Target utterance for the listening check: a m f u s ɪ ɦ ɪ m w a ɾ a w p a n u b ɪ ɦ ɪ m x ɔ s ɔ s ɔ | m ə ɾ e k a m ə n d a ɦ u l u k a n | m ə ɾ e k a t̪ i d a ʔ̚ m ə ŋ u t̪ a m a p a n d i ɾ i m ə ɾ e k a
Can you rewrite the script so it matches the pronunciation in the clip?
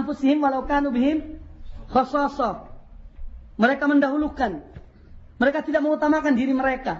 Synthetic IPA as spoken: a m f u s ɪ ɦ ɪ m w a l a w k a n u b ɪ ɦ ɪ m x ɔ s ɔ s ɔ | m ə ɾ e k a m ə n d a ɦ u l u k a n | m ə ɾ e k a t̪ i d a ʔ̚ m ə ŋ u t̪ a m a k a n d i ɾ i m ə ɾ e k a